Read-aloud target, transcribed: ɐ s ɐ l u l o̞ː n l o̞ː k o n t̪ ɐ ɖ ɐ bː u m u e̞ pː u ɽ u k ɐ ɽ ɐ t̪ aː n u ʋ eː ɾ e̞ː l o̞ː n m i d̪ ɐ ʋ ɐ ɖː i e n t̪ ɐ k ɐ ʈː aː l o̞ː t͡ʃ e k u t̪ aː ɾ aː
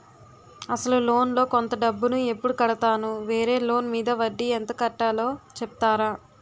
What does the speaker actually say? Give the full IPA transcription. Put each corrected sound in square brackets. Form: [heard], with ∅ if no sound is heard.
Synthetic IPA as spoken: ɐ s ɐ l u l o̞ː n l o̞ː k o n t̪ ɐ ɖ ɐ bː u [n] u e̞ pː u ɽ u k ɐ ɽ ɐ t̪ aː n u ʋ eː ɾ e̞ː l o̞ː n m [iː] d̪ ɐ ʋ ɐ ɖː i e n t̪ ɐ k ɐ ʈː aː l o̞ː t͡ʃ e [p] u t̪ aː ɾ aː